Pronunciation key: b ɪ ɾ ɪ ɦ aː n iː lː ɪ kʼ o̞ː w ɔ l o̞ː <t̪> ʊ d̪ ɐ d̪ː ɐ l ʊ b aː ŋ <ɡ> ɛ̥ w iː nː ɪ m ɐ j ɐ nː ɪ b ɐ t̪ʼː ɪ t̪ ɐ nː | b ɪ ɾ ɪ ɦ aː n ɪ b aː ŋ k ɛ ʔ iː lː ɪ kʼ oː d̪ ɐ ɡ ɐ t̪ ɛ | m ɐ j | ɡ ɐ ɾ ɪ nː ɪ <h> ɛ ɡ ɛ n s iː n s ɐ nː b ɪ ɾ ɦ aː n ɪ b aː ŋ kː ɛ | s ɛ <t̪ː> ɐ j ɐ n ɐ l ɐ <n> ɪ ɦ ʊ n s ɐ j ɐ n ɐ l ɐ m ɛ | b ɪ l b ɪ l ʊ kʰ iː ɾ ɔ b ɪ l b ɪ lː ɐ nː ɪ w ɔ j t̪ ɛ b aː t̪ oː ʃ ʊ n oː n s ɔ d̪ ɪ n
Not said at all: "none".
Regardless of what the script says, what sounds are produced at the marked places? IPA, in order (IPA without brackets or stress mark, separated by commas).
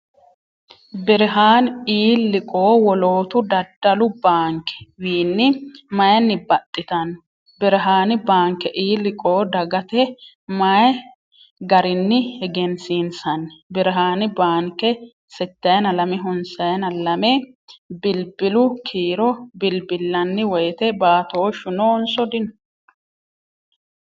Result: t̪, k, h, t̪ː, m